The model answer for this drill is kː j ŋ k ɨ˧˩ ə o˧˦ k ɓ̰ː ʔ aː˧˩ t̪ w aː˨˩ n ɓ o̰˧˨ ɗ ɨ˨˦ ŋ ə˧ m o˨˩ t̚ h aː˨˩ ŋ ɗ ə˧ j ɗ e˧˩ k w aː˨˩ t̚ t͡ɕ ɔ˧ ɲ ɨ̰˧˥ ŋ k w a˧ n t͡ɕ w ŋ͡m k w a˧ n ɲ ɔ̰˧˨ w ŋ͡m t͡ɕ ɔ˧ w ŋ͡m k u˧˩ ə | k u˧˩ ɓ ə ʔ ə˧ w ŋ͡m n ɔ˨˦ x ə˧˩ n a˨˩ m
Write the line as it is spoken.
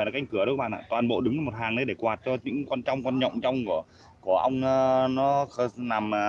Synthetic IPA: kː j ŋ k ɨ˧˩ ə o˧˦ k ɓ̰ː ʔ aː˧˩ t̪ w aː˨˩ n ɓ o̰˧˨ ɗ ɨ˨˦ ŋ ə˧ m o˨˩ t̚ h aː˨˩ ŋ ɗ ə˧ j ɗ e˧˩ k w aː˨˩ t̚ t͡ɕ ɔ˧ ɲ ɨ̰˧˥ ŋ k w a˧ n t͡ɕ w ŋ͡m k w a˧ n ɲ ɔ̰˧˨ w ŋ͡m t͡ɕ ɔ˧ w ŋ͡m k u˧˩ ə | k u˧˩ ə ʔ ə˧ w ŋ͡m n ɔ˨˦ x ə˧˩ n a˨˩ m